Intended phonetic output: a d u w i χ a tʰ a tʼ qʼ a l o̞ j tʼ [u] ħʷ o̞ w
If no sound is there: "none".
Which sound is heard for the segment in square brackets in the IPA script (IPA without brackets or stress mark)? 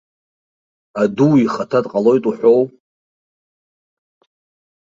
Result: u